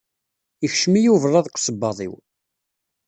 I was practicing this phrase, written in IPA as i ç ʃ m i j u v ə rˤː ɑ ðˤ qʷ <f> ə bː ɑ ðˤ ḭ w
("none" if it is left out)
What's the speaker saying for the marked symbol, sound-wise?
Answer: s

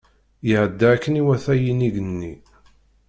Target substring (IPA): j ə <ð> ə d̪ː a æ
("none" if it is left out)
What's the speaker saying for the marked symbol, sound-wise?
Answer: ʕ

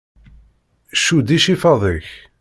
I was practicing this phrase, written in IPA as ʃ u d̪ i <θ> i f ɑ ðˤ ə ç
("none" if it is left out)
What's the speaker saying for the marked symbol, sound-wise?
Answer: ʃ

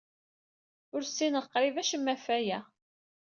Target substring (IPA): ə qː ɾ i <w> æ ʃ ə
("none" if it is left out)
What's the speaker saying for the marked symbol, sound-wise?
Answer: v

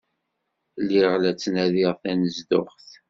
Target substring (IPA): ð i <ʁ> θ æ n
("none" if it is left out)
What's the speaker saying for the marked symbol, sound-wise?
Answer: ʁ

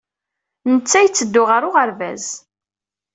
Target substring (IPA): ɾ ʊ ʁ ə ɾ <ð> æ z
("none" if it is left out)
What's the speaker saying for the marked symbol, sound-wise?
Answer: v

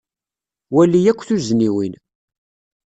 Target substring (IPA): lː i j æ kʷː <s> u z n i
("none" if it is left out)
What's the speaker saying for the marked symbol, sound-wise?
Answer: θ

